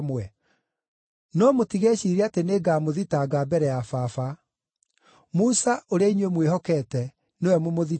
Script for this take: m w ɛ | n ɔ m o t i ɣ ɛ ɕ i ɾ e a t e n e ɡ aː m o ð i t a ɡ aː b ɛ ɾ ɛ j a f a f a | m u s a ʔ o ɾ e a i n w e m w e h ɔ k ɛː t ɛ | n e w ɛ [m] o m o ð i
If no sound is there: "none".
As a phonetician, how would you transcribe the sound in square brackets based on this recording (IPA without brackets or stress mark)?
m